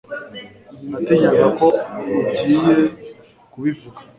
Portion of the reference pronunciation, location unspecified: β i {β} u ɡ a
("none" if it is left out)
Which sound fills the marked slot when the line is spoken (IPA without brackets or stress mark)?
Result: v